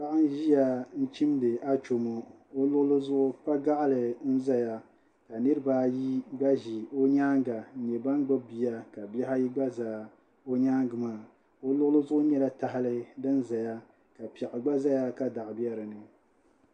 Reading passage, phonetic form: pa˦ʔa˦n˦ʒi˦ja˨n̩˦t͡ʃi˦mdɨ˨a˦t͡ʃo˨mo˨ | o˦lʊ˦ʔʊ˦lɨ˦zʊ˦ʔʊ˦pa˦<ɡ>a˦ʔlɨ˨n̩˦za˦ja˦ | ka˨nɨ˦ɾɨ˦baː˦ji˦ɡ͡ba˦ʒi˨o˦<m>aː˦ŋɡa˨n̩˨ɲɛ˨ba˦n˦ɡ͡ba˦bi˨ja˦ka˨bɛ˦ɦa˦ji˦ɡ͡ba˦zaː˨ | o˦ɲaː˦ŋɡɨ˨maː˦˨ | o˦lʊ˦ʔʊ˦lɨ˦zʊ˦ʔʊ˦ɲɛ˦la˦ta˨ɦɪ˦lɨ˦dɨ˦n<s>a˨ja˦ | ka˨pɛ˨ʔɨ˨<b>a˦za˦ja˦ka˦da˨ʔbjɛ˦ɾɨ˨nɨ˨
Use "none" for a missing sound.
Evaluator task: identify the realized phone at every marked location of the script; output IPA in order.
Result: ɡ, ɲ, z, ɡ͡b

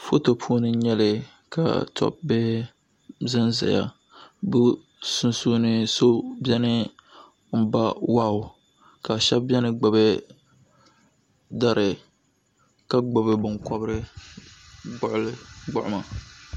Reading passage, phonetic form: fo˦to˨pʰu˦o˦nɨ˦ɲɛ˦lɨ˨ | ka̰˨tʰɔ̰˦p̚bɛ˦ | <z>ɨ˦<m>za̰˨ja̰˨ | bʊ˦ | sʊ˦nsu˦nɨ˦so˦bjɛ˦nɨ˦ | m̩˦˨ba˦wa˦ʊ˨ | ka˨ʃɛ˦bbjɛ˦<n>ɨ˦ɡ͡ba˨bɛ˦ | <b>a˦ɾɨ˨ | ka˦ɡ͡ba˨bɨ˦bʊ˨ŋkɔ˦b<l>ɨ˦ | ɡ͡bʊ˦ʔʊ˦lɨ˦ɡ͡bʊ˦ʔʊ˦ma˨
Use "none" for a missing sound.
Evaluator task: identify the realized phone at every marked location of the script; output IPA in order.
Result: z, n, n, d, ɾ

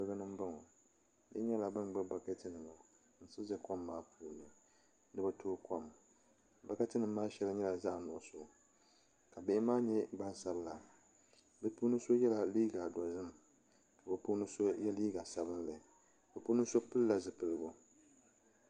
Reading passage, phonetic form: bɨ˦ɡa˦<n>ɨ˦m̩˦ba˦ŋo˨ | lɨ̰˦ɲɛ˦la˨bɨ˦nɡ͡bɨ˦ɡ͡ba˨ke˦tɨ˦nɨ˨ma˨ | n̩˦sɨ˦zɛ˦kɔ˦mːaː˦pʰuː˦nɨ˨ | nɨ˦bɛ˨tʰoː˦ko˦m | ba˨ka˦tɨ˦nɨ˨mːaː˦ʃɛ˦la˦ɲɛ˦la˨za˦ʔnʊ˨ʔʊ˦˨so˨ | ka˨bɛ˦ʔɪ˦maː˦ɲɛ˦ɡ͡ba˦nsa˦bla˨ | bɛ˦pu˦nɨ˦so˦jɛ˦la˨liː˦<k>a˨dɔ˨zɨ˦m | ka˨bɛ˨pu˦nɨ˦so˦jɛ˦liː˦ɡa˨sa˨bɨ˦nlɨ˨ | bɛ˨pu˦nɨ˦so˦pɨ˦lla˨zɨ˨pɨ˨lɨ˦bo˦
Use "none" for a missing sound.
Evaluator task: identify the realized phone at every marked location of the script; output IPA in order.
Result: n, ɡ

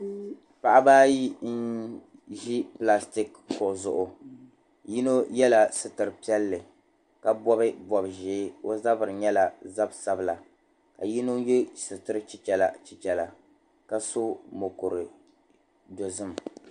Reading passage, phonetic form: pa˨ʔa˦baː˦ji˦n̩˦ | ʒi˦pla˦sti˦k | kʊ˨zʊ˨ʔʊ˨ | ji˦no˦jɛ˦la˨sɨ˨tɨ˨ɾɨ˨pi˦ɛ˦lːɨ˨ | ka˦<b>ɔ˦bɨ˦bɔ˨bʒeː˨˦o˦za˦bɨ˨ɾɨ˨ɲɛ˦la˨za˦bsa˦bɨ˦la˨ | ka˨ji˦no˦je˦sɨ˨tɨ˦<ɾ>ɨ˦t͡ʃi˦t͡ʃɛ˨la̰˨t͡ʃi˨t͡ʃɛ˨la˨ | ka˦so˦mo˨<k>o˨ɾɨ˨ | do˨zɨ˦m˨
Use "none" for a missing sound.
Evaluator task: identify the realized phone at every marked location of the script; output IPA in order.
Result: b, ɾ, k

